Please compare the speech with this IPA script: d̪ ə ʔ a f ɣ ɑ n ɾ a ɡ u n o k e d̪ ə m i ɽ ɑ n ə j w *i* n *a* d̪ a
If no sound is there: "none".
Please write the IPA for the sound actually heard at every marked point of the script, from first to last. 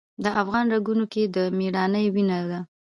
i, a

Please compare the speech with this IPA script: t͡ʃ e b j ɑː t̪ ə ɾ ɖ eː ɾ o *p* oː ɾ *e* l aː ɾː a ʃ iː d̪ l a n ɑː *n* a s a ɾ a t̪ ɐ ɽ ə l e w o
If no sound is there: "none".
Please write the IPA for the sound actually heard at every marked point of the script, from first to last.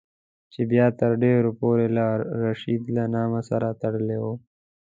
p, e, m

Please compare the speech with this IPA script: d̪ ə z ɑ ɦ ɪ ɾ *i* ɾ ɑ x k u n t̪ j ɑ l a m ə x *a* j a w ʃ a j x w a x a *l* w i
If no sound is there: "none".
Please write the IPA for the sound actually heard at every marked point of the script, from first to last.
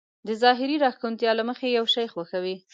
i, e, none

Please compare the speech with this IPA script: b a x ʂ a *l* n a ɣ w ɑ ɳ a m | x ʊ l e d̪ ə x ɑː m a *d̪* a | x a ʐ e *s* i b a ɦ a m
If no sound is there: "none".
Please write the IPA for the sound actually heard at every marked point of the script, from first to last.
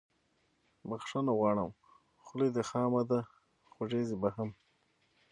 none, d̪, z

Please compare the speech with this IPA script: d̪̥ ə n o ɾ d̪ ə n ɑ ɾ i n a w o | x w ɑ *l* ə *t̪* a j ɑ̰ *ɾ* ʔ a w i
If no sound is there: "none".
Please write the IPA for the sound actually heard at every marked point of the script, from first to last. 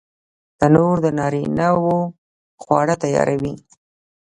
ɽ, t̪, ɾ

